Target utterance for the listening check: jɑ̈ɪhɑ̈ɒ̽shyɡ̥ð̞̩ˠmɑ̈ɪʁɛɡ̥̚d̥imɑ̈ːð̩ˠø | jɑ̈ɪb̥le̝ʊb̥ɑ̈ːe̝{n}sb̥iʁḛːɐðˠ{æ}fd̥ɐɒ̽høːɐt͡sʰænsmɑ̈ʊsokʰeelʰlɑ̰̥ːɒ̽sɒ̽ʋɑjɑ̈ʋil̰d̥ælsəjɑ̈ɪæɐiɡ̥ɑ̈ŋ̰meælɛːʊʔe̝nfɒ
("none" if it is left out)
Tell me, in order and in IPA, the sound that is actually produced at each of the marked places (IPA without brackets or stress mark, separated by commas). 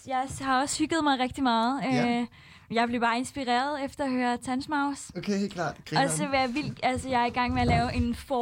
n, e